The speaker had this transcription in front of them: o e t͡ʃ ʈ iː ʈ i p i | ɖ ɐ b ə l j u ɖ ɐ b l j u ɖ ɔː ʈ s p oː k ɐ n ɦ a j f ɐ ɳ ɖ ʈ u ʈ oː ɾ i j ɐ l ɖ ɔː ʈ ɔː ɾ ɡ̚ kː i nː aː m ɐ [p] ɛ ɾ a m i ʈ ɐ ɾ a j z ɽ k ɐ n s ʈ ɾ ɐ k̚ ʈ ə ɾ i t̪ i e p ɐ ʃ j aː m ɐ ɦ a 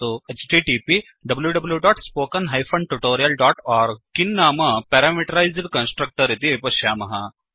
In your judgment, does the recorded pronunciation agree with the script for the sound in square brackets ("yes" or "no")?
yes